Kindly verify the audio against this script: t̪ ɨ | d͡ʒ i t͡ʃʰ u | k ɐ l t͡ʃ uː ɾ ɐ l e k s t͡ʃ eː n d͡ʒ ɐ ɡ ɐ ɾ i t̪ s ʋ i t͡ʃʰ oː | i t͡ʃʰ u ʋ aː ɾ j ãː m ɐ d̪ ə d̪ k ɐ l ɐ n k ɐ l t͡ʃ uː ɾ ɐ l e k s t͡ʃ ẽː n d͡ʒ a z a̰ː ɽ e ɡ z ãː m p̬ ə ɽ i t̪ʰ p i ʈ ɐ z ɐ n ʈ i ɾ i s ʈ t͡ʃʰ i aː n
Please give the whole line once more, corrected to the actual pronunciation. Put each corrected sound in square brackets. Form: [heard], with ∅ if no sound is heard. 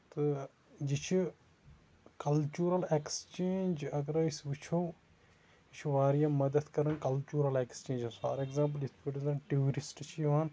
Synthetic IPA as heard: t̪ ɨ | d͡ʒ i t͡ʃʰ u | k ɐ l t͡ʃ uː ɾ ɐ l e k s t͡ʃ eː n d͡ʒ ɐ ɡ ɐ ɾ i [∅] s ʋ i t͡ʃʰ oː | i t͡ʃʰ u ʋ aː ɾ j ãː m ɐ d̪ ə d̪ k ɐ [ɾ] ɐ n k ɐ l t͡ʃ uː ɾ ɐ l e k s t͡ʃ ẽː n d͡ʒ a [s] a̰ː [ɾ] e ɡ z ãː m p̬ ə [l] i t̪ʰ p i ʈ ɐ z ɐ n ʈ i ɾ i s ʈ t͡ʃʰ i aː n